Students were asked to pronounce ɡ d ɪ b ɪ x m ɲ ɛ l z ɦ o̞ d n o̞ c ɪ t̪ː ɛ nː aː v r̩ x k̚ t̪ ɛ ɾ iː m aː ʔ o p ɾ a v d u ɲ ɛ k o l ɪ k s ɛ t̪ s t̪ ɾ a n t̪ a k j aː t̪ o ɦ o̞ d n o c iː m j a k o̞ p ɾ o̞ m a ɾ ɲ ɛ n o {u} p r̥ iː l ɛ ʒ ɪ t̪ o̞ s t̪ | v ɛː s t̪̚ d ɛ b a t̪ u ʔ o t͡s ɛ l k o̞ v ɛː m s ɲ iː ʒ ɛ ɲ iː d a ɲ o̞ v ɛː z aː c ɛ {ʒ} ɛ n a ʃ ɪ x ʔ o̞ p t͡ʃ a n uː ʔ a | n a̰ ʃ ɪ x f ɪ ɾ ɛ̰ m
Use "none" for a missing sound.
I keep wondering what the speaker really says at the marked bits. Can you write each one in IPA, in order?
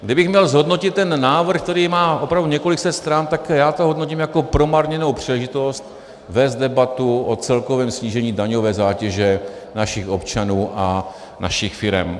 w, ʒ

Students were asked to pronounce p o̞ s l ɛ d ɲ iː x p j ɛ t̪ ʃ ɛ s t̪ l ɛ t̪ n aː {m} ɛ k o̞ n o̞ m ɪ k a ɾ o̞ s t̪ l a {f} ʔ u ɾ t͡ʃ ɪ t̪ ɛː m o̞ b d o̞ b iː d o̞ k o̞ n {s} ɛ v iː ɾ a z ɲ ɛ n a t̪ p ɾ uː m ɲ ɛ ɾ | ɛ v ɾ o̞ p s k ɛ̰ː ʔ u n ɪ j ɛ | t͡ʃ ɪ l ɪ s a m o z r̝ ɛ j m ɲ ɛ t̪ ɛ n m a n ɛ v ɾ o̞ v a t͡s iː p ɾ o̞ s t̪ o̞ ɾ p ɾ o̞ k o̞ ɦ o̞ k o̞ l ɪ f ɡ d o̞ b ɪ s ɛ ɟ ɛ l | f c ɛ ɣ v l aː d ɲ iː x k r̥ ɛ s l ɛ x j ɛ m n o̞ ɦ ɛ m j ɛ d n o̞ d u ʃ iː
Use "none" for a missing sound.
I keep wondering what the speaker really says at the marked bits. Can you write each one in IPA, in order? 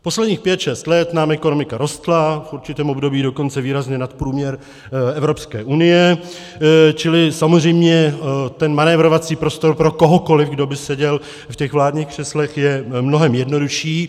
m, f, t͡s

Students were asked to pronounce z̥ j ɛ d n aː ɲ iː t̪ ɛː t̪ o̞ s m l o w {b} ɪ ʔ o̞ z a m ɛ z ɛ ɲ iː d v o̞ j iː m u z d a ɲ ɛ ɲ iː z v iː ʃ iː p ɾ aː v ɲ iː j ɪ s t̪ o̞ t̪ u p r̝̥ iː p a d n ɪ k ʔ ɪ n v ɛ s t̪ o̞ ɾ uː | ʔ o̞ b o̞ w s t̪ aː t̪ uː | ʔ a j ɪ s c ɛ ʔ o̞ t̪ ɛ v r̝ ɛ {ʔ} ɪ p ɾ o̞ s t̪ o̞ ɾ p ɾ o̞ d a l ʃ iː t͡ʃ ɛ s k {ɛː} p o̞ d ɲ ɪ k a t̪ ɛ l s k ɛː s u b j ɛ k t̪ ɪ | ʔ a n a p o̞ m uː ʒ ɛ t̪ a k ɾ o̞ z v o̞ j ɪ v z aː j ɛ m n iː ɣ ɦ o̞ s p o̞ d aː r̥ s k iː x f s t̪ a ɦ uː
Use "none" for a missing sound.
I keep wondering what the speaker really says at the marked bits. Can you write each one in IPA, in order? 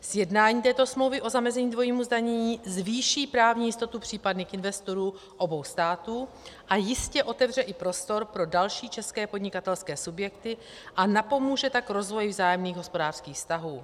v, ʔ, ɛː

